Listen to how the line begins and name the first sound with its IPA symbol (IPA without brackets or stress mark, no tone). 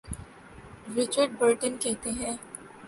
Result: ɾ